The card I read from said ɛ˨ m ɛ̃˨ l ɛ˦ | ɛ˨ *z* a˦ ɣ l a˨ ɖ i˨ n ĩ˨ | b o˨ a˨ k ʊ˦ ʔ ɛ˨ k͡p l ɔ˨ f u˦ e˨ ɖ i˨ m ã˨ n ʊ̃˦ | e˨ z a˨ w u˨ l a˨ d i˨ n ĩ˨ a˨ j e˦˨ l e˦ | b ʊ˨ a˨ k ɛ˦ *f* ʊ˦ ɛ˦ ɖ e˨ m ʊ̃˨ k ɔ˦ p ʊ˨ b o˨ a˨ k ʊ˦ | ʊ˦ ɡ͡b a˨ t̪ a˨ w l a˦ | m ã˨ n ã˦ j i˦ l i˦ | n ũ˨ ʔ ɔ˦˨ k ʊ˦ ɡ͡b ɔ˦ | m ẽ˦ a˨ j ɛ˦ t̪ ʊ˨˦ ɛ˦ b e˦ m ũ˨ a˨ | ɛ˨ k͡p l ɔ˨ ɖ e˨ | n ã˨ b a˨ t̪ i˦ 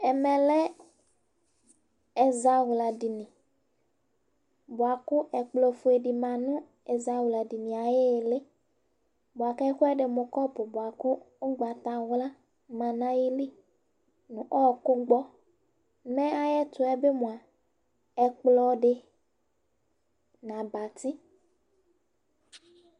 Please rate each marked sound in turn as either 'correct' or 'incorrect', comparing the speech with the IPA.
correct, incorrect: x

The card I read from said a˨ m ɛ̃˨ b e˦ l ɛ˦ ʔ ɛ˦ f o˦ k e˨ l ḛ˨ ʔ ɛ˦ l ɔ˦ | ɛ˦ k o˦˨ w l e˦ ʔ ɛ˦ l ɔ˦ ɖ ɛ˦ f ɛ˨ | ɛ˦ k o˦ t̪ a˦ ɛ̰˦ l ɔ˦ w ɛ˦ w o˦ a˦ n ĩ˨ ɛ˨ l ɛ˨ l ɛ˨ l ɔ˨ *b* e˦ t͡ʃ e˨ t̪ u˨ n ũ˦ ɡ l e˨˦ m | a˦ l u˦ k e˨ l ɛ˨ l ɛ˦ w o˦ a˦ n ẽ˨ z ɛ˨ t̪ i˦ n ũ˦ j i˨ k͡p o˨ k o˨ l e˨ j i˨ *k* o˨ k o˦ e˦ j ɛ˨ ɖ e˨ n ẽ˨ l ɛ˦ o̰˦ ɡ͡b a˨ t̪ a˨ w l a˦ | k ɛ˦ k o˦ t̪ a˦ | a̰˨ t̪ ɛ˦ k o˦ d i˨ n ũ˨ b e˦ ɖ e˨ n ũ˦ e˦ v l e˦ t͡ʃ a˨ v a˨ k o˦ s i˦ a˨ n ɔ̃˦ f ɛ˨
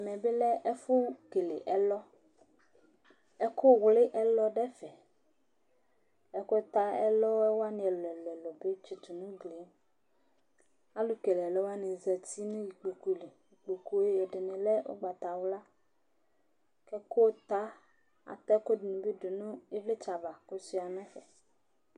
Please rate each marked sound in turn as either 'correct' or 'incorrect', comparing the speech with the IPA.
correct, incorrect: k͡p

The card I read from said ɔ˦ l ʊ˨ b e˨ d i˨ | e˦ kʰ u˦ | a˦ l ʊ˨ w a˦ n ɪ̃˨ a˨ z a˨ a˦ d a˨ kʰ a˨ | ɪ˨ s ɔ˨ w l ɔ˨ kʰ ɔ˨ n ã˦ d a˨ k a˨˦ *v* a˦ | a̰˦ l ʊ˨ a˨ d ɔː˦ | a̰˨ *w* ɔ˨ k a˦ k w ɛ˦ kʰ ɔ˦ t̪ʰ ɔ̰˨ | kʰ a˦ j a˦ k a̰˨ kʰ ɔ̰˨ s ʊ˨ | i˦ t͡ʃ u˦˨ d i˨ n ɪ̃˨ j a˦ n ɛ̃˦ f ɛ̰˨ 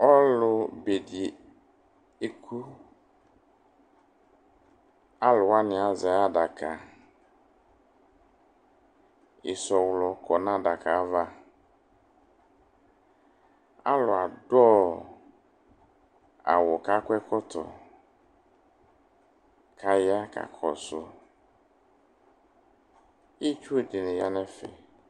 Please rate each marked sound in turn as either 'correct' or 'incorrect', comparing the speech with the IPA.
correct, correct

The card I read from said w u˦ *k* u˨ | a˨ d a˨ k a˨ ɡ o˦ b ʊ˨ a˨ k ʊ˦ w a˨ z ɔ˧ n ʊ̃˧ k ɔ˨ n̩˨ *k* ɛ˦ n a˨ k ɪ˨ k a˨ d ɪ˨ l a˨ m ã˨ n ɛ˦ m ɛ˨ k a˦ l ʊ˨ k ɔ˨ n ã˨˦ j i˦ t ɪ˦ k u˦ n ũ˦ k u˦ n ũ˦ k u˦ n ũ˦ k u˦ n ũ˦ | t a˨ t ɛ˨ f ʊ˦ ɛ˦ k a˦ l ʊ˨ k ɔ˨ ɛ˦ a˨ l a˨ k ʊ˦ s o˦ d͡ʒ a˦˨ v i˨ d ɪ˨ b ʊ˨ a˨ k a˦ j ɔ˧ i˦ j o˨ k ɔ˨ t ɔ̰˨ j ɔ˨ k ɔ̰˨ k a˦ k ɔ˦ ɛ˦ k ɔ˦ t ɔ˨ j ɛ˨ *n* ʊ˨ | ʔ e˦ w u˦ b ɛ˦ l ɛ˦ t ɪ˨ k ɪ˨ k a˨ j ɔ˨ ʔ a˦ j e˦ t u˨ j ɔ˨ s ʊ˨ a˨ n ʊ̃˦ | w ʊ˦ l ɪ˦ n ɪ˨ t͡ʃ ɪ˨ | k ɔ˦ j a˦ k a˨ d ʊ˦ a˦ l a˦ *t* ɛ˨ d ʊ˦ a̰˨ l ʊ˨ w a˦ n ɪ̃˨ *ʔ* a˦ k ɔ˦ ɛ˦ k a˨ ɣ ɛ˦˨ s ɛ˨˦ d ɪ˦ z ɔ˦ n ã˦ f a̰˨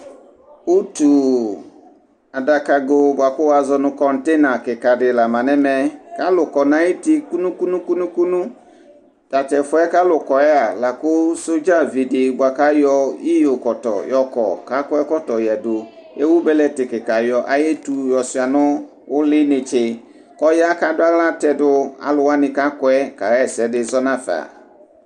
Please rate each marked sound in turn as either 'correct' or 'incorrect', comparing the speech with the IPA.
incorrect: t, incorrect: t, incorrect: d, correct, incorrect: k

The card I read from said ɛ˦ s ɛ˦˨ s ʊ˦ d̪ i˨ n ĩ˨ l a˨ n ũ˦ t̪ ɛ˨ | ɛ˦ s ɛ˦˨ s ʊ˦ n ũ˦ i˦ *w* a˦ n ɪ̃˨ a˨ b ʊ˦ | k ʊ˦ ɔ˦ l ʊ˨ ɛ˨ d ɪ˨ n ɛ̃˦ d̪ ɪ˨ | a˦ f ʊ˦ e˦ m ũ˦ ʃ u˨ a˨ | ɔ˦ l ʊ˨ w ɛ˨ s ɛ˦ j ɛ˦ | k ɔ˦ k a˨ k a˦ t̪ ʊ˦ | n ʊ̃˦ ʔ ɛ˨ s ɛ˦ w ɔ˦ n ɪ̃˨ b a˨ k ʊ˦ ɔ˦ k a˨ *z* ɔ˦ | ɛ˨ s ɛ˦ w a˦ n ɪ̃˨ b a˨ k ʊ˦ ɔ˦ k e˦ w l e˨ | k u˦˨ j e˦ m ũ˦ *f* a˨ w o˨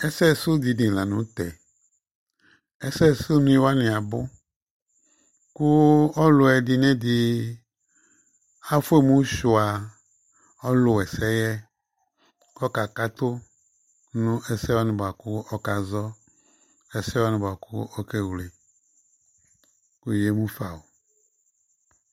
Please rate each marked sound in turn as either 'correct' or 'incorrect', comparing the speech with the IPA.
correct, correct, correct

